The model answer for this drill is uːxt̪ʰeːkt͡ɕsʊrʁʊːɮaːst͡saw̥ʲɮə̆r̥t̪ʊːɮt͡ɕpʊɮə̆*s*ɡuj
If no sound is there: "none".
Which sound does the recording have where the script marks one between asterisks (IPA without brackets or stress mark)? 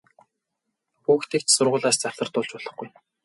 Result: χ